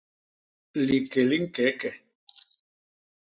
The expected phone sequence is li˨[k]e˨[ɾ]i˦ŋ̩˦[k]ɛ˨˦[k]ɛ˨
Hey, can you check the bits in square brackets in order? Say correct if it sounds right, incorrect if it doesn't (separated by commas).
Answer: correct, incorrect, correct, correct